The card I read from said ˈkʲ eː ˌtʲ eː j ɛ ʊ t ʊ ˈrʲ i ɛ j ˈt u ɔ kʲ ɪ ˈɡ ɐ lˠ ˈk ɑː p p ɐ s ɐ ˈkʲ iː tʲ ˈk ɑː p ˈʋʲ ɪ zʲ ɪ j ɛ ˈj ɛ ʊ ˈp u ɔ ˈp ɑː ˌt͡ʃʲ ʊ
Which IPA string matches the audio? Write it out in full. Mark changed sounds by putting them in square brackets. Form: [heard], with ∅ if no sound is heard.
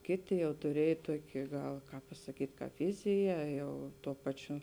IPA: ˈkʲ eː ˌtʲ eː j ɛ ʊ t ʊ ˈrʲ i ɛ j ˈt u ɔ kʲ ɪ ˈɡ ɐ lˠ ˈk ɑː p p ɐ s ɐ ˈkʲ iː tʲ ˈk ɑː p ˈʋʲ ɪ zʲ ɪ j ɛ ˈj ɛ ʊ [ˈt] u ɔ ˈp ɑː ˌt͡ʃʲ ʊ

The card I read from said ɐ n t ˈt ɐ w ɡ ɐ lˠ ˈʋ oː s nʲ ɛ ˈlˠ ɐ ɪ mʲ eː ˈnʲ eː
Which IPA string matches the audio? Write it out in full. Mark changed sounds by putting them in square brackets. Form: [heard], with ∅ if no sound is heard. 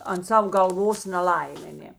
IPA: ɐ n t [ˈs] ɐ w ɡ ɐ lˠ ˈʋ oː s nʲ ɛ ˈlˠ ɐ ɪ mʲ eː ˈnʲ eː

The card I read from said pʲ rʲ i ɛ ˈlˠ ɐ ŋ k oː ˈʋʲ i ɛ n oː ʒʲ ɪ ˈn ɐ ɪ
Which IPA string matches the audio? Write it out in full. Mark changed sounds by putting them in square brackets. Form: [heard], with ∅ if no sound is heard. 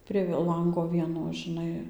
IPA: pʲ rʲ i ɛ ˈlˠ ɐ ŋ [ɡ] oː ˈʋʲ i ɛ n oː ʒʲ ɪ ˈn ɐ ɪ

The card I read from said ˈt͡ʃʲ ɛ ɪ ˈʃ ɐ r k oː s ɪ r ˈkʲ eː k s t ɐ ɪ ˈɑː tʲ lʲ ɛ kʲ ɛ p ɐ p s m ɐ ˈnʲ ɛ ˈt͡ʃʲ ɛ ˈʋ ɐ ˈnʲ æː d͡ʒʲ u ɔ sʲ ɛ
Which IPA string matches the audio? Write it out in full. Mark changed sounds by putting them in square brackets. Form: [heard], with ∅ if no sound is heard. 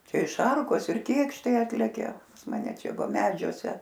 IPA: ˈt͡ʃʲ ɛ ɪ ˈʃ ɐ r k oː s ɪ r ˈkʲ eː k [ʃ] t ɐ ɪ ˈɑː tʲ lʲ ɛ kʲ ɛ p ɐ [∅] s m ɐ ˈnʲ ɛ ˈt͡ʃʲ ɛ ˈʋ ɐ [ˈmʲ] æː d͡ʒʲ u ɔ sʲ ɛ

